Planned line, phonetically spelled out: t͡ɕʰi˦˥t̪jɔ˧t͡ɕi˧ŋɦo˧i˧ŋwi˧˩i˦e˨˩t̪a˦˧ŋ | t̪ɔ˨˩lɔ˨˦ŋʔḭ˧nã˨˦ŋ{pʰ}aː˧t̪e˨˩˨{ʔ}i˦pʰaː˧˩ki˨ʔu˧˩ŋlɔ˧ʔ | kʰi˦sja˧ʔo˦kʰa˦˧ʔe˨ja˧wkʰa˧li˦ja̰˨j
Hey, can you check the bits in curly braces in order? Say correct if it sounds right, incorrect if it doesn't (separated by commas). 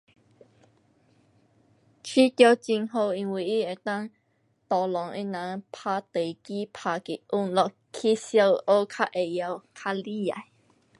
correct, incorrect